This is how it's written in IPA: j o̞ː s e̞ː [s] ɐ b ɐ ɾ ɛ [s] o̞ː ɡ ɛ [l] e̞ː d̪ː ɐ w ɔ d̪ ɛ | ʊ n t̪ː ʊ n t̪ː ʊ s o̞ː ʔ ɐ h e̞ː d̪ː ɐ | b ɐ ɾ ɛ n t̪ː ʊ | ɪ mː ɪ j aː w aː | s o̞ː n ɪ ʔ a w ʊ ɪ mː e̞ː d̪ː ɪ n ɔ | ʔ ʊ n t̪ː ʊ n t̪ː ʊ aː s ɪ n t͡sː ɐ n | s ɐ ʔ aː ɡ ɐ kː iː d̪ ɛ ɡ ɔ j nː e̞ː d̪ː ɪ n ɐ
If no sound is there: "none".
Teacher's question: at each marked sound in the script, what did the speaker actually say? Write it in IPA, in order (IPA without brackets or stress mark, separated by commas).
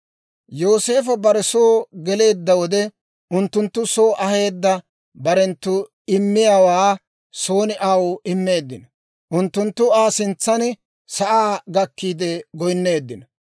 f, s, l